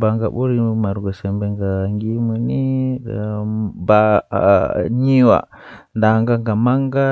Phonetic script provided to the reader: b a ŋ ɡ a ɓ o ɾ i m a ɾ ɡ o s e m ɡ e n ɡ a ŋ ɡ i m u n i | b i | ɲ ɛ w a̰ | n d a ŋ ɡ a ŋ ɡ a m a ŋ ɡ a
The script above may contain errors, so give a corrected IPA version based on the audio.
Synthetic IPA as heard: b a ŋ ɡ a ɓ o ɾ i m a ɾ ɡ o s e m b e ŋ ɡ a ŋ ɡ i m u n i | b a | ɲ i w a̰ | n d a ŋ ɡ a ŋ ɡ a m a ŋ ɡ a